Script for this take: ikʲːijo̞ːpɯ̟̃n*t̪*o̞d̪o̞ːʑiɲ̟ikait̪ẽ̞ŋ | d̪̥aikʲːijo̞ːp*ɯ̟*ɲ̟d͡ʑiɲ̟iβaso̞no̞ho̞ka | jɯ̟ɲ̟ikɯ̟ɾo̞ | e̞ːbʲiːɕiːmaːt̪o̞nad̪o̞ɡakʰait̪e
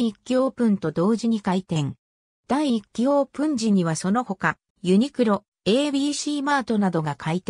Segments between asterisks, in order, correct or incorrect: correct, incorrect

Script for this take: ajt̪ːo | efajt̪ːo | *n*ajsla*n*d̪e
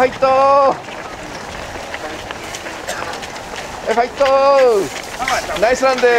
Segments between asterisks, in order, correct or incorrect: correct, correct

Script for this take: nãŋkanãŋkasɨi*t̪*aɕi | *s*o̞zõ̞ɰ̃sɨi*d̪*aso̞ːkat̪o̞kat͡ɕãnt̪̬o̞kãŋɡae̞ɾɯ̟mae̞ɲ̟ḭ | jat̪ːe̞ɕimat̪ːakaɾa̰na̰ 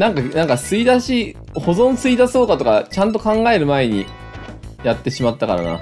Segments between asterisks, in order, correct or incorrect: incorrect, incorrect, correct

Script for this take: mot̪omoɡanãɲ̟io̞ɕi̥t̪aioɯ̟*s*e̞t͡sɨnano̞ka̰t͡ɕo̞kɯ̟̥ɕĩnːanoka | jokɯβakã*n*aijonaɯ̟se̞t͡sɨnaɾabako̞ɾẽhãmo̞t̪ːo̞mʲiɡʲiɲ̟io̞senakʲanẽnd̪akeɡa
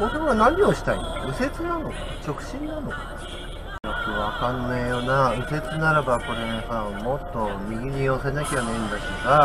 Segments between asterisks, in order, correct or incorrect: correct, incorrect

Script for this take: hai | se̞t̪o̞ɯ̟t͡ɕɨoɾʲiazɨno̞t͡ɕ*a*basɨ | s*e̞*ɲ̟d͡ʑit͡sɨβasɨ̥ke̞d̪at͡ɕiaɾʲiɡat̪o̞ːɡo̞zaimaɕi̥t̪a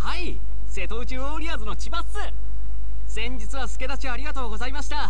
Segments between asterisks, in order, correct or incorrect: incorrect, incorrect

